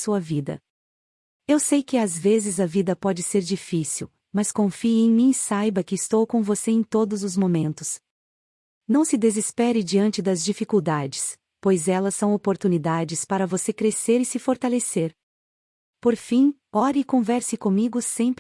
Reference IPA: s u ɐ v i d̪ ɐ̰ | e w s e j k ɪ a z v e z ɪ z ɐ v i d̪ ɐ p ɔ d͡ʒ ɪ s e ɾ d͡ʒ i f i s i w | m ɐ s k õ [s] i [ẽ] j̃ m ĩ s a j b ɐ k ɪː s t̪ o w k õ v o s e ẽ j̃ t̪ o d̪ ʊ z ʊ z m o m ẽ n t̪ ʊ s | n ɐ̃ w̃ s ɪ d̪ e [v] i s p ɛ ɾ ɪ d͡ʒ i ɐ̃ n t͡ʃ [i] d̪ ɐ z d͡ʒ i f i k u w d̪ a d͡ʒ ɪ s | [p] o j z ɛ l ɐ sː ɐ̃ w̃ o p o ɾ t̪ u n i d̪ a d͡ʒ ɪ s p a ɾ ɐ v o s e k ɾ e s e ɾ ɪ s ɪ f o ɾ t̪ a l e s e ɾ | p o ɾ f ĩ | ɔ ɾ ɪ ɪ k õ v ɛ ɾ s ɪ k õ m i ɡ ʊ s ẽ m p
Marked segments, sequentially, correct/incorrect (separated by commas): incorrect, correct, incorrect, incorrect, correct